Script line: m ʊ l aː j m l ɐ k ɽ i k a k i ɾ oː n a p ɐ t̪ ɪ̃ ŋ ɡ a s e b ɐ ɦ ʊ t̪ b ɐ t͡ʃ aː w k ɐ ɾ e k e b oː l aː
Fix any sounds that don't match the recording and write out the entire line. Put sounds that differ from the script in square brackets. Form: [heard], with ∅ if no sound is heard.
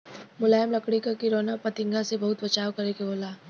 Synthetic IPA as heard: m ʊ l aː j m l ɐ k ɽ i k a k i ɾ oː n a p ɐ t̪ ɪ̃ ŋ ɡ a s e b ɐ ɦ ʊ t̪ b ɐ t͡ʃ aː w k ɐ ɾ e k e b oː l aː